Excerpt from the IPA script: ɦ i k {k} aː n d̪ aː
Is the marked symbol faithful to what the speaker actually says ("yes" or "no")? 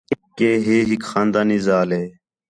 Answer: no